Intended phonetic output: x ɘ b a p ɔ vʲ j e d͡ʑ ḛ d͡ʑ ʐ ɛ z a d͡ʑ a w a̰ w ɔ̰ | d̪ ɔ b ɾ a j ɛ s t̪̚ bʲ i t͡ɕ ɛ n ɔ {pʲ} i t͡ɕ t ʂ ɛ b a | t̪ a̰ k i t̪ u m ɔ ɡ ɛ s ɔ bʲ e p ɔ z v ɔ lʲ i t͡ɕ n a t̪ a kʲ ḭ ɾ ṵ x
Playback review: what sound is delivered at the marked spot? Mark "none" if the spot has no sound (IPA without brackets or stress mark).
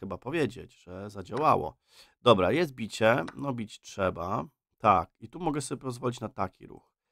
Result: bʲ